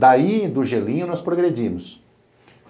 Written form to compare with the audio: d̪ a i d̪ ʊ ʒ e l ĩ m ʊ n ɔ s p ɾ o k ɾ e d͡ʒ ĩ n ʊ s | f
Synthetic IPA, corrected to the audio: d̪ a i d̪ ʊ ʒ e l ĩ ɲ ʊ n ɔ s p ɾ o ɡ ɾ e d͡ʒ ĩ m ʊ s | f